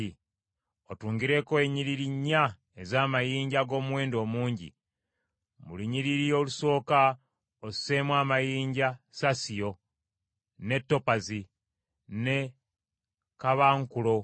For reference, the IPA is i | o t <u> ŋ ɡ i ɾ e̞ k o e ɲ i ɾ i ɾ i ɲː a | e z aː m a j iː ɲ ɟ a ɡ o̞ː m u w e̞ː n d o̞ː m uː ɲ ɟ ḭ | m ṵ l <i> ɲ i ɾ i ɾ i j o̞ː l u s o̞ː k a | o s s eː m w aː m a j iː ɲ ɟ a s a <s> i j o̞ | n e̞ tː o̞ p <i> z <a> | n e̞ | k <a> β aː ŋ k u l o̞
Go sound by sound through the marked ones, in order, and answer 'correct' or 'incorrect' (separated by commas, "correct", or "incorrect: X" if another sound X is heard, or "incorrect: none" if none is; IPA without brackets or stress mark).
incorrect: uː, correct, correct, incorrect: a, incorrect: i, correct